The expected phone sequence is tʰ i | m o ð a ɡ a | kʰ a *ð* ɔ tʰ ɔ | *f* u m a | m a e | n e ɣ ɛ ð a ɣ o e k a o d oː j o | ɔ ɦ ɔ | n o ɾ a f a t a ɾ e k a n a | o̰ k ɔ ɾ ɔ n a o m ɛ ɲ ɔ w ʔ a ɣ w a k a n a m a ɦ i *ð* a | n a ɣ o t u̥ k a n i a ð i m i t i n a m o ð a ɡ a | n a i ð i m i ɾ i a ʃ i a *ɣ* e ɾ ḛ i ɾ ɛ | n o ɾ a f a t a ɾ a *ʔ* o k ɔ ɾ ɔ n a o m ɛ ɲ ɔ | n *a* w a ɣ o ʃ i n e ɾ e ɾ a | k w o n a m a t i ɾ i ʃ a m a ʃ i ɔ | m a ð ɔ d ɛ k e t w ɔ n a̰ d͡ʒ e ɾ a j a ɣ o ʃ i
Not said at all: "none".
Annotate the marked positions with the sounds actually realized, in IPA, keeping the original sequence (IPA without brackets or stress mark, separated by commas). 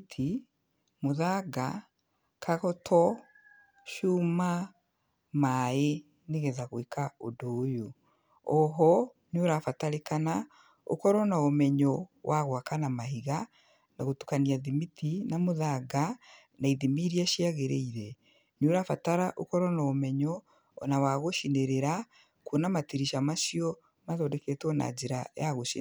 ɣ, ʃ, ɣ, ɣ, ʔ, a